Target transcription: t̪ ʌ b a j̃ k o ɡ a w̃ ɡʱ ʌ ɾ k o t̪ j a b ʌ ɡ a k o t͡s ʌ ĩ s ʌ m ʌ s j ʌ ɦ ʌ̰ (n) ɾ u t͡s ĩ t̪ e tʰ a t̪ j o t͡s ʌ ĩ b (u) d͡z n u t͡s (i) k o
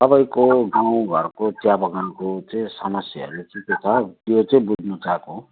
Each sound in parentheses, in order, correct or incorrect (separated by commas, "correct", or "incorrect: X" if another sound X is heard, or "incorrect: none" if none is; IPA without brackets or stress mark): incorrect: none, correct, incorrect: a